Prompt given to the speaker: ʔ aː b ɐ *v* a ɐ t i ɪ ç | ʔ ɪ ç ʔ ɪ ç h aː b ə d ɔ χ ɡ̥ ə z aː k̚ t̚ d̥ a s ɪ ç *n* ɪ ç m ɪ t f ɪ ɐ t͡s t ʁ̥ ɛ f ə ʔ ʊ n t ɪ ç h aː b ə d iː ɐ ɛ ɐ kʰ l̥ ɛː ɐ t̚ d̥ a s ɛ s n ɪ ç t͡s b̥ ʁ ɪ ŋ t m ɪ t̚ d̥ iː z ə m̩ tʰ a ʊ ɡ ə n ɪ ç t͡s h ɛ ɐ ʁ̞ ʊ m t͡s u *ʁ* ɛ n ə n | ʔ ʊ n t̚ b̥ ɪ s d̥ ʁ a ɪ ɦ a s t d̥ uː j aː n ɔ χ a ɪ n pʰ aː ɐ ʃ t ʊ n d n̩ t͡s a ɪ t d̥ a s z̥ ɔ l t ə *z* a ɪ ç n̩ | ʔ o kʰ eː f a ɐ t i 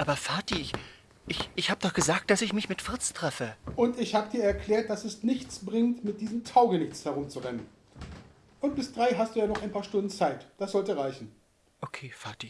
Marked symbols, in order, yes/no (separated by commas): no, no, yes, no